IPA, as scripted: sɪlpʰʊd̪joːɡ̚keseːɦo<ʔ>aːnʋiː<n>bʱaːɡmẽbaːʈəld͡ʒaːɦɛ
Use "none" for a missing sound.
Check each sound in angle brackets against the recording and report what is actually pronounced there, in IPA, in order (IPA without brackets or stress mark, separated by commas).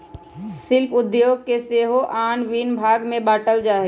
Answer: ʔ, n